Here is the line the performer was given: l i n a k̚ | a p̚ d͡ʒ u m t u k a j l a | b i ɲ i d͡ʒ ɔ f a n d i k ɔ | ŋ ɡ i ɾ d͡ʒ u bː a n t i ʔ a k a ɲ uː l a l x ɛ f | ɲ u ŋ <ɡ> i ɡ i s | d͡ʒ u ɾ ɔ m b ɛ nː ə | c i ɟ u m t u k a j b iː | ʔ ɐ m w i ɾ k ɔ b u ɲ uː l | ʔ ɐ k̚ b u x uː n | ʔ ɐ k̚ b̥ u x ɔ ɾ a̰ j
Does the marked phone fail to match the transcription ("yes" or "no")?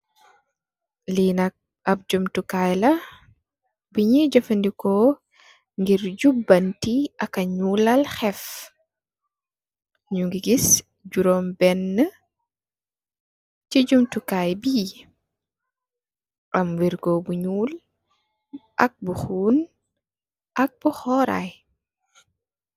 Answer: no